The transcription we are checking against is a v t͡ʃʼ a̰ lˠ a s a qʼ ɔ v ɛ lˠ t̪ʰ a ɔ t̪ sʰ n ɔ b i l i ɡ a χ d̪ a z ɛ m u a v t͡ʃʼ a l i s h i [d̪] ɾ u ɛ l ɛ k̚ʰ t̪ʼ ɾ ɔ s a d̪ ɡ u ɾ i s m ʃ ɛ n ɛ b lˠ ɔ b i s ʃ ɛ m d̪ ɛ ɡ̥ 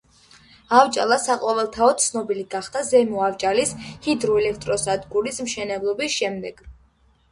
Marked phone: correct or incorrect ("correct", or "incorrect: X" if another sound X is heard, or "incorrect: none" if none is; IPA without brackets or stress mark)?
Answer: correct